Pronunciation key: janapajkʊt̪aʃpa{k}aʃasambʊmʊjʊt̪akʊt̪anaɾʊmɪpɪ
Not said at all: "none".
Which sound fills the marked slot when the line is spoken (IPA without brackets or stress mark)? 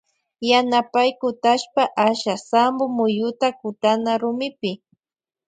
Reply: ʔ